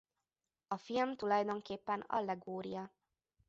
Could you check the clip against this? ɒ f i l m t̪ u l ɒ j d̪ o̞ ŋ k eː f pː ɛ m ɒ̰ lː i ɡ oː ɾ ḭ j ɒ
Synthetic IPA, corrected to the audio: ɒ f i l m t̪ u l ɒ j d̪ o̞ ŋ k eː pː ɛ n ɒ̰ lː ɛ ɡ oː ɾ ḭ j ɒ